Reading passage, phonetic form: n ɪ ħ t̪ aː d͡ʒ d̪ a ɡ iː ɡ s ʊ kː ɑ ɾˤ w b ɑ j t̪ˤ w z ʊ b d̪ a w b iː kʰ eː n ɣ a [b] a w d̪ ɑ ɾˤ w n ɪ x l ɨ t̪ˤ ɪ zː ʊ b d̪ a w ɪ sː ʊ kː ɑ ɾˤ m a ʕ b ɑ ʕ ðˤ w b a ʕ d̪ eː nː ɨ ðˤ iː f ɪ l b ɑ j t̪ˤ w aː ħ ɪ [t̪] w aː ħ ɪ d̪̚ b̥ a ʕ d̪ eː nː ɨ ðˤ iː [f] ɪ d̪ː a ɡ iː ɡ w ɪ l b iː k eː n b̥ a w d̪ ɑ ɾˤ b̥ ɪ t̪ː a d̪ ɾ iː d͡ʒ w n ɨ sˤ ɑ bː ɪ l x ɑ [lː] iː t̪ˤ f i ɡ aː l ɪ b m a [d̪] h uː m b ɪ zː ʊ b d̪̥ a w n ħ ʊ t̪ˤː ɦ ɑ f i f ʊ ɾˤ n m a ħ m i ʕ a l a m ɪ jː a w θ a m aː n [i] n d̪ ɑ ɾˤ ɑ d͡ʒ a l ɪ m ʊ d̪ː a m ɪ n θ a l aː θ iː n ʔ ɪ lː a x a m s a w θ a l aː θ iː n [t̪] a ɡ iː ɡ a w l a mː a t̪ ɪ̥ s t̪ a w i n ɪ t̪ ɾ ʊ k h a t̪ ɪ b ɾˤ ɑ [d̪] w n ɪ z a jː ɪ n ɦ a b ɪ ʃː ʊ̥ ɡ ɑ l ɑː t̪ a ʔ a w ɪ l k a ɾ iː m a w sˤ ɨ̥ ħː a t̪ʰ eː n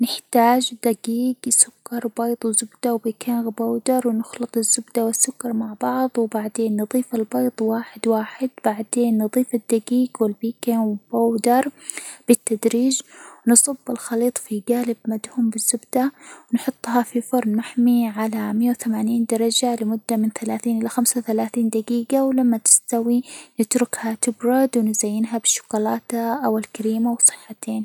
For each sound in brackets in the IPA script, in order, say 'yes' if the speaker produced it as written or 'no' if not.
yes, no, yes, no, yes, no, no, yes

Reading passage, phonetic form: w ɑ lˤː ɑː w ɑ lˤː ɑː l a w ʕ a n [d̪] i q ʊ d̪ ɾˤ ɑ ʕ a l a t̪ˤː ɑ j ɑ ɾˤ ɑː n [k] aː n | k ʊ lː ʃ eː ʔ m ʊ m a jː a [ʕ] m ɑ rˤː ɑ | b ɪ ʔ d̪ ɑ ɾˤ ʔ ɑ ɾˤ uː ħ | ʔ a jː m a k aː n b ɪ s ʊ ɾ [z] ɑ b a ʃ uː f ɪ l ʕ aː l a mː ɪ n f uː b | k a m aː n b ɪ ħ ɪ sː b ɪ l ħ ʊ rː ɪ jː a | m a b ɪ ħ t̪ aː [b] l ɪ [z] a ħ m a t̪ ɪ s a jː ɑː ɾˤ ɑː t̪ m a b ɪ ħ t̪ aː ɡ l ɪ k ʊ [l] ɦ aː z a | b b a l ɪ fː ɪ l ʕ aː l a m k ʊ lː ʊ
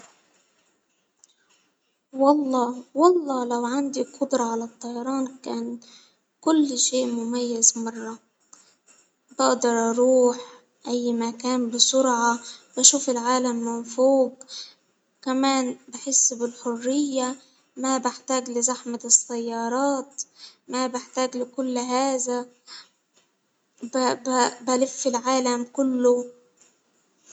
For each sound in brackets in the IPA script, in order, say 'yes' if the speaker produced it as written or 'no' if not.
yes, yes, no, no, no, yes, no

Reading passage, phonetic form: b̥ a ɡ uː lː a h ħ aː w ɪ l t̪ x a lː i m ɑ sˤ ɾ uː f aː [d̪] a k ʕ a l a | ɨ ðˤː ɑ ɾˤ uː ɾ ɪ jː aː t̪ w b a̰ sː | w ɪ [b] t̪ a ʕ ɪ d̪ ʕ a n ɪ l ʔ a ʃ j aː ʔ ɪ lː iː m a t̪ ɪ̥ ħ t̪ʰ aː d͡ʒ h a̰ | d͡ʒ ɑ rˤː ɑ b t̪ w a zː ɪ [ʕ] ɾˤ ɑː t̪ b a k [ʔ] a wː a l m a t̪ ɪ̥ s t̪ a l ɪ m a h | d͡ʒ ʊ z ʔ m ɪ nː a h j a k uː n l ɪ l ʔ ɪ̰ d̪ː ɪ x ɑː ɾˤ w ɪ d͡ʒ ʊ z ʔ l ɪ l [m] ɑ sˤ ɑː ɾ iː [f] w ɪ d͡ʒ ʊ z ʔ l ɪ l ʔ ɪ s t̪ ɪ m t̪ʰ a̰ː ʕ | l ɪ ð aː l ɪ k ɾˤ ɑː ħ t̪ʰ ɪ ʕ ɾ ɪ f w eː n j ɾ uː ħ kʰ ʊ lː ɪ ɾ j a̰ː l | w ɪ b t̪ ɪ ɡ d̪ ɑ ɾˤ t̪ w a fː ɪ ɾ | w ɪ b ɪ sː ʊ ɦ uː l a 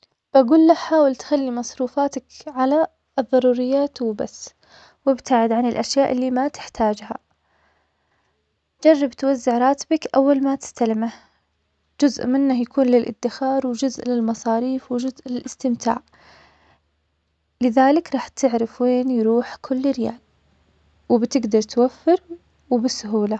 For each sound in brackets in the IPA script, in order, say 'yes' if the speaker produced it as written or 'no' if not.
no, yes, yes, yes, yes, yes

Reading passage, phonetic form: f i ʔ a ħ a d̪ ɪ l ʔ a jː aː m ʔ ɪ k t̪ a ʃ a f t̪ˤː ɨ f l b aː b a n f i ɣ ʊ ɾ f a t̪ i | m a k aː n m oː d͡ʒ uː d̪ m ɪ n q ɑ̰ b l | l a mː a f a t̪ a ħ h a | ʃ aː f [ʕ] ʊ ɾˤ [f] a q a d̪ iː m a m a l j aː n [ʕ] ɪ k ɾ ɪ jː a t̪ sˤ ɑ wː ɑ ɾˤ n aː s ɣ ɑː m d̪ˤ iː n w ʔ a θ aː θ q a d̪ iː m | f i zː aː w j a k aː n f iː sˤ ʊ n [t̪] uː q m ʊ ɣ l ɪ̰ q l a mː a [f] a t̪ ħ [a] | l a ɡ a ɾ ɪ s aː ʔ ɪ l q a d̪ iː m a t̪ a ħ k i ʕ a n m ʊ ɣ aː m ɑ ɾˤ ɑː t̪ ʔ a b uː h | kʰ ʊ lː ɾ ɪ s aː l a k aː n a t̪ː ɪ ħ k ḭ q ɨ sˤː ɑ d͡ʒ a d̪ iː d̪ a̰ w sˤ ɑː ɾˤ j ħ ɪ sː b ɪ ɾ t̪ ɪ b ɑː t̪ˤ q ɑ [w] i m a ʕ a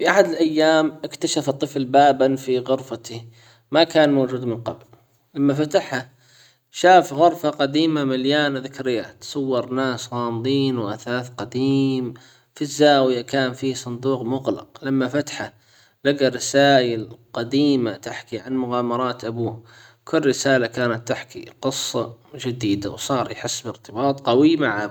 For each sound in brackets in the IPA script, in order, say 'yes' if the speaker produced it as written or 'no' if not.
no, yes, no, no, yes, yes, yes

